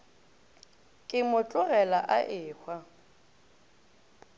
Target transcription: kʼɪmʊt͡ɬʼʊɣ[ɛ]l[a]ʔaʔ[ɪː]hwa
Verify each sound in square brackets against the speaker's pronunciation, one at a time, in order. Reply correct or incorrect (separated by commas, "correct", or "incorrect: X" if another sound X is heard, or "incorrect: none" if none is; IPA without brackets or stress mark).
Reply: correct, correct, correct